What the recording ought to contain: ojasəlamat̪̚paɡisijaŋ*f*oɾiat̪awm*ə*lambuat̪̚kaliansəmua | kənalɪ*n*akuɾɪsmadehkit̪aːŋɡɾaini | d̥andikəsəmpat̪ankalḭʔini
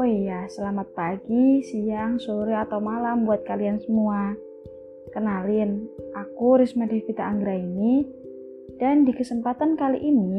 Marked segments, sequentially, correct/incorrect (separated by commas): incorrect, incorrect, correct